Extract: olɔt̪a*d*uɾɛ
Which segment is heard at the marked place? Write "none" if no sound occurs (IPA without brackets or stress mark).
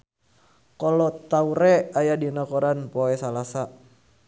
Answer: none